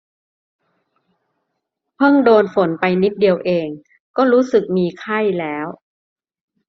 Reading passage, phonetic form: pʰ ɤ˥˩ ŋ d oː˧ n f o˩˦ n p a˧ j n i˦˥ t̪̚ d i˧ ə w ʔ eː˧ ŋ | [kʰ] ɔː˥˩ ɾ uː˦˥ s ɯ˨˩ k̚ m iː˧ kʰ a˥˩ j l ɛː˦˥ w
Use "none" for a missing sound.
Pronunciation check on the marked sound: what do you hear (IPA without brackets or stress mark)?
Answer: k